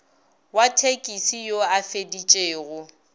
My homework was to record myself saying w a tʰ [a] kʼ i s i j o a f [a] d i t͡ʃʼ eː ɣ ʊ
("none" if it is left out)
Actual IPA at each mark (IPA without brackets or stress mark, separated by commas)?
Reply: e, e